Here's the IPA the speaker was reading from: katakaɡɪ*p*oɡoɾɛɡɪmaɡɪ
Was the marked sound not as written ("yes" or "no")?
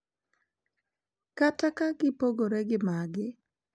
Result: no